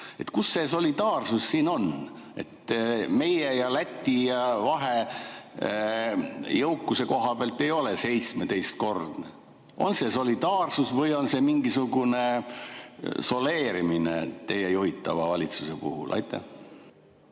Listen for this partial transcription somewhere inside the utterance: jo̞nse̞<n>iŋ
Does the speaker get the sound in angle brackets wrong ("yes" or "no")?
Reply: yes